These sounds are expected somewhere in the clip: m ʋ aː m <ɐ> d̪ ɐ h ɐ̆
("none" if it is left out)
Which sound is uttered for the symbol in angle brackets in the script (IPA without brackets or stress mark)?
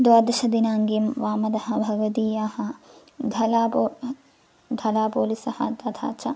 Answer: ɐ